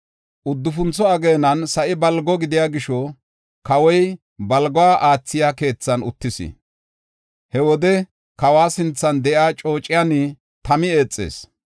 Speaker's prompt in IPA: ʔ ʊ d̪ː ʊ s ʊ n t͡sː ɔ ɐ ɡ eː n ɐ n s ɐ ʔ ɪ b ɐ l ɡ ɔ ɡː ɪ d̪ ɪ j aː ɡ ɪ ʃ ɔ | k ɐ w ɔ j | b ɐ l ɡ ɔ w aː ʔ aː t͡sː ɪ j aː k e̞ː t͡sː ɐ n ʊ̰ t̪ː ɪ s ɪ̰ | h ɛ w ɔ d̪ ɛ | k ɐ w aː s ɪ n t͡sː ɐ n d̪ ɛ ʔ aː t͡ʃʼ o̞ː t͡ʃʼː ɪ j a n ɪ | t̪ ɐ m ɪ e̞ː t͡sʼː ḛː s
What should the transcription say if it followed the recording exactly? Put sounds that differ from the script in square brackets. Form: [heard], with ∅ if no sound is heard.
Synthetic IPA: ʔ ʊ d̪ː ʊ [f] ʊ n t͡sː ɔ ɐ ɡ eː n ɐ n s ɐ ʔ ɪ b ɐ l ɡ ɔ [ɡ] ɪ d̪ ɪ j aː ɡ ɪ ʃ ɔ | k ɐ w ɔ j | b ɐ l ɡ ɔ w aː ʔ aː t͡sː ɪ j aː k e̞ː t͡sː ɐ n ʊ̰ t̪ː ɪ s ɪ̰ | h ɛ w ɔ d̪ ɛ | k ɐ w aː s ɪ n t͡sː ɐ n d̪ ɛ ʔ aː t͡ʃʼ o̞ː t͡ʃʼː ɪ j a n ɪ | t̪ ɐ m ɪ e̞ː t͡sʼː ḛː s

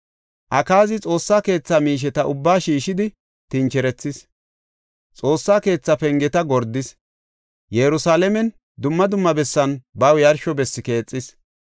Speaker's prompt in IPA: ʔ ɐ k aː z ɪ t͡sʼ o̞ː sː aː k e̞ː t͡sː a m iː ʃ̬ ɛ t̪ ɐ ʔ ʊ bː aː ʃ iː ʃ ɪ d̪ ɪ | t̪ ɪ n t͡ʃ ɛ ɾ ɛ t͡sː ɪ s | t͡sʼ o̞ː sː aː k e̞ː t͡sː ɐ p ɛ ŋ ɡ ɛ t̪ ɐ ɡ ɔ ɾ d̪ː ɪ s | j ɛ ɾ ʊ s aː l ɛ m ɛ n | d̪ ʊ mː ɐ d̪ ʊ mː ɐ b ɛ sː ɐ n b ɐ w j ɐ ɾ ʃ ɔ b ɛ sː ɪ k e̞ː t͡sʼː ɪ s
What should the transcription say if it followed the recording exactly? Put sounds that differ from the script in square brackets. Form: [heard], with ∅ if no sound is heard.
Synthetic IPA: ʔ ɐ k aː z ɪ t͡sʼ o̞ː sː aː k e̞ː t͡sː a m iː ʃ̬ ɛ t̪ ɐ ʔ ʊ bː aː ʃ iː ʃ ɪ d̪ ɪ | t̪ ɪ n t͡ʃ ɛ ɾ ɛ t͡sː ɪ s | t͡sʼ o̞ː sː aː k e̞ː t͡sː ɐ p ɛ ŋ ɡ ɛ t̪ ɐ ɡ ɔ ɾ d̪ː ɪ s | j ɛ ɾ ʊ s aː l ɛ m ɛ n | d̪ ʊ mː ɐ d̪ ʊ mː ɐ b ɛ sː ɐ n b ɐ w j ɐ ɾ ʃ ɔ b ɛ sː ɪ k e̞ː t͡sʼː ɪ s

